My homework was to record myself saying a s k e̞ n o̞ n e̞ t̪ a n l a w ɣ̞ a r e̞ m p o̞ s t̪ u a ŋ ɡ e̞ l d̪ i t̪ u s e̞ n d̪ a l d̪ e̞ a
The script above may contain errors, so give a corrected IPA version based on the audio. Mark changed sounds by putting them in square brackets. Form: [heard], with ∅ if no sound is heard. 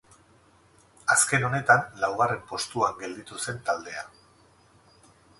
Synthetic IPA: a s k e̞ n o̞ n e̞ t̪ a n l a w ɣ̞ a r e̞ m p o̞ s t̪ u a ŋ ɡ e̞ l d̪ i t̪ u s e̞ n [t̪] a l d̪ e̞ a

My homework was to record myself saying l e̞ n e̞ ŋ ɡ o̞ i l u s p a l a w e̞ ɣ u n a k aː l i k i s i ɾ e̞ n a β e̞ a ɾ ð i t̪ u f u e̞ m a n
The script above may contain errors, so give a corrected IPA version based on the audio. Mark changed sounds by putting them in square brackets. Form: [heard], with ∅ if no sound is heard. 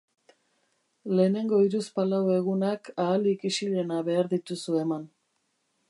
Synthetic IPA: l e̞ n e̞ ŋ ɡ o̞ i [ɾ] u s p a l a w e̞ ɣ u n a k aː l i k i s i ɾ e̞ n a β e̞ a ɾ ð i t̪ u [s] u e̞ m a n

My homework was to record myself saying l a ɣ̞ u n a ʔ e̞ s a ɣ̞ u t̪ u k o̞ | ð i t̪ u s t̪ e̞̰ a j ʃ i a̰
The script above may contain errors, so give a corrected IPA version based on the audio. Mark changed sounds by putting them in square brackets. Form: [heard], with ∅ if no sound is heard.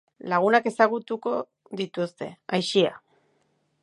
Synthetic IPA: l a ɣ̞ u n a [k] e̞ s a ɣ̞ u t̪ u k o̞ | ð i t̪ u s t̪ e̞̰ a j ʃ i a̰

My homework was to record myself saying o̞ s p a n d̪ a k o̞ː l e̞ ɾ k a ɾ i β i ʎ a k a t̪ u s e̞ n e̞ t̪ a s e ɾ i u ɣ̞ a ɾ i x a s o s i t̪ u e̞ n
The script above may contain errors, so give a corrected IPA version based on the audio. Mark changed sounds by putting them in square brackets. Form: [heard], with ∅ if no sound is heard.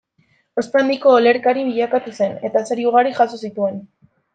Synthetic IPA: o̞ s p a n d̪ [i] k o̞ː l e̞ ɾ k a ɾ i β i ʎ a k a t̪ u s e̞ n e̞ t̪ a s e ɾ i u ɣ̞ a ɾ i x a s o s i t̪ u e̞ n

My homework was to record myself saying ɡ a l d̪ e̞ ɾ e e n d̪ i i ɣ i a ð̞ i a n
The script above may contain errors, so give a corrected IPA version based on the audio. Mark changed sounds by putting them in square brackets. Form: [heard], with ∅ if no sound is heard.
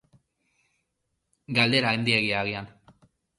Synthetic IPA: ɡ a l d̪ e̞ ɾ [a] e n d̪ i [e] ɣ i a [ɣ̞] i a n

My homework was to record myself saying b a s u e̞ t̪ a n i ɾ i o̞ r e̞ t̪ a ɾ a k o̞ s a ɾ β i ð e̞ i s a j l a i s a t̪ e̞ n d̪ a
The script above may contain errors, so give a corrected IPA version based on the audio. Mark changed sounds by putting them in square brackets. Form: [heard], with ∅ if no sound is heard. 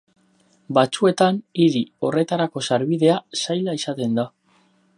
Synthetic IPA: b a [t͡s] u e̞ t̪ a n i ɾ i o̞ r e̞ t̪ a ɾ a k o̞ s a ɾ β i ð e̞ [a] s a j l a i s a t̪ e̞ n d̪ a

